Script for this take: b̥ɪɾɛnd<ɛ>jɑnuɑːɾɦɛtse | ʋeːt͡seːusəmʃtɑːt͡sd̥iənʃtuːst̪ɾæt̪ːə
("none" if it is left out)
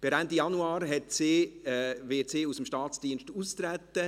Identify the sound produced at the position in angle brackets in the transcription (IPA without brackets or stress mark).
i